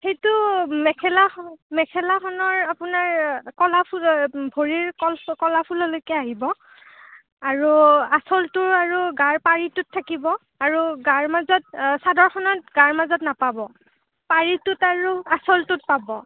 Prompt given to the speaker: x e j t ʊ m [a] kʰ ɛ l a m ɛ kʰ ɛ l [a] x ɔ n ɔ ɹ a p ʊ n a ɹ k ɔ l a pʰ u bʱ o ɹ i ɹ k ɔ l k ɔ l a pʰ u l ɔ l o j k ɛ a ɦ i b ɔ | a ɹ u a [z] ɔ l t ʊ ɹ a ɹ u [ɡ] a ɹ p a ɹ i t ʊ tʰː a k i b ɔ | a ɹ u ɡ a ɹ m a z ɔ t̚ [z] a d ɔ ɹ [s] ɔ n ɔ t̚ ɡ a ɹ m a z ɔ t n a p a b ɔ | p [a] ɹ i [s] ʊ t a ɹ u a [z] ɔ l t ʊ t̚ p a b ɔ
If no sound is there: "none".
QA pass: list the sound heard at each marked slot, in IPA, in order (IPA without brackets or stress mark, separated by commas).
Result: ɛ, a, s, ɡ, s, x, a, t, s